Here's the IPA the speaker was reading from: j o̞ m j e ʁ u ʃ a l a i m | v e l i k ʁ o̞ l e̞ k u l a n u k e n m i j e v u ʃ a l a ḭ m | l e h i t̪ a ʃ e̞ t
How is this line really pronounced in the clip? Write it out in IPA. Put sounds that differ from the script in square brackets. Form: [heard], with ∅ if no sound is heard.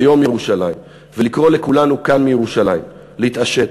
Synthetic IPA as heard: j o̞ m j e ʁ u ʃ a l a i m | v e l i k ʁ o̞ l e̞ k u l a n u k [a] n m i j e [ʁ] u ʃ a l a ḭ m | l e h i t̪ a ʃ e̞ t